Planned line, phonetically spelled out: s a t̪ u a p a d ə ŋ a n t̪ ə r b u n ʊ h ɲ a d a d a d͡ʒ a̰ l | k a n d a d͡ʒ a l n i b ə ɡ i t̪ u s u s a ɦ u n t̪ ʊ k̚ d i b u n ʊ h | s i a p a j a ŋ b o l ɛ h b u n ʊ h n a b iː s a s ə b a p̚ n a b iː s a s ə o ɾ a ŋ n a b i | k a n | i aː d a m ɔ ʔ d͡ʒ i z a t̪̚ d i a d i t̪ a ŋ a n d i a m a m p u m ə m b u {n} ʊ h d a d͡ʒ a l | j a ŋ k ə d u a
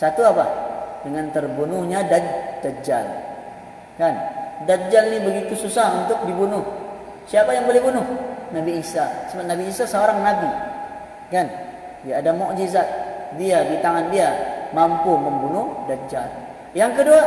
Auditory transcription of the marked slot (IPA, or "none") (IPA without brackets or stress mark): n